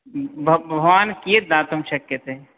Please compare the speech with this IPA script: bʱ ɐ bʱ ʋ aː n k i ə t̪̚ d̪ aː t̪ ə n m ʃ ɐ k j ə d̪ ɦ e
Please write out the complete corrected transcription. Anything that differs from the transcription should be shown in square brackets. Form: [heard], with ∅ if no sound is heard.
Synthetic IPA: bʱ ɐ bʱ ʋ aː n k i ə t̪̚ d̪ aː t̪ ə [∅] m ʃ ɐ k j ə [t̪] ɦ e